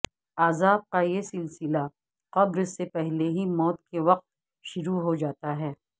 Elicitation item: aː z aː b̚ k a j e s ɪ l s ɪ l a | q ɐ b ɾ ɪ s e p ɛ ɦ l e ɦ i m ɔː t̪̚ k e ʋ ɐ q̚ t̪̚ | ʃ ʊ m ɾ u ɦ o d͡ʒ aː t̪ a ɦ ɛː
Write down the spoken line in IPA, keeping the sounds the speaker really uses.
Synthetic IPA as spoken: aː z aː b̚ k a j e s ɪ l s ɪ l a | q ɐ b ɾ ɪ s e p ɛ ɦ l e ɦ i m ɔː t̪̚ k e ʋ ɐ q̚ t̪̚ | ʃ ʊ ɾ u ɦ o d͡ʒ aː t̪ a ɦ ɛː